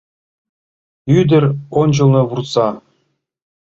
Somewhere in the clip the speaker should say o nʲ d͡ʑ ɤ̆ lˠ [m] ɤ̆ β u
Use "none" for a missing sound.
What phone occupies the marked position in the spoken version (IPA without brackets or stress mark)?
n